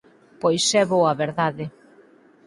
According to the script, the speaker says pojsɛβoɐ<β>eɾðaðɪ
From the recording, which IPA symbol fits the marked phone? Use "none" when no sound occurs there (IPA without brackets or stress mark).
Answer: β